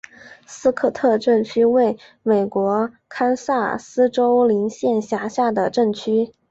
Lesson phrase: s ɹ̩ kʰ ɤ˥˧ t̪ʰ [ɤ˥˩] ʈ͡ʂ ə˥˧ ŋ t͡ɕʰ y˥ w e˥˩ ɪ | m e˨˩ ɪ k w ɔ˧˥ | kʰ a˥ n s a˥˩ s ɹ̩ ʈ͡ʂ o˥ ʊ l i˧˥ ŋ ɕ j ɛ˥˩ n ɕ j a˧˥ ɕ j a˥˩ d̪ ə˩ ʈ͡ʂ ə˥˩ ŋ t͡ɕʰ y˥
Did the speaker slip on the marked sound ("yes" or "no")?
yes